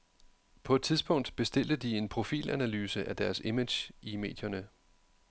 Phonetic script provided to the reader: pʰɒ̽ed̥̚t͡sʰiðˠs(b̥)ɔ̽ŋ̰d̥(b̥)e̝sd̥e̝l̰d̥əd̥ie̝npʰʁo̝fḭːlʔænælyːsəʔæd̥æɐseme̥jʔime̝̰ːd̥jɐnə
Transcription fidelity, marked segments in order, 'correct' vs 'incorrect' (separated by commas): correct, correct